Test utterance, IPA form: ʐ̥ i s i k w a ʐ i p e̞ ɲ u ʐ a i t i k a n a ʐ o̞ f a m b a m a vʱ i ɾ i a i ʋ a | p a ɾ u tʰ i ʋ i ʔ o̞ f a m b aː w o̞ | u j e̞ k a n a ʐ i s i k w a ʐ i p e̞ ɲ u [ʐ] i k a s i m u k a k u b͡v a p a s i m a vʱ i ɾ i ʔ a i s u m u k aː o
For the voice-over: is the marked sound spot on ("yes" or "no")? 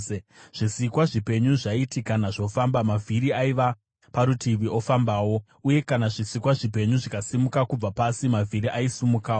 yes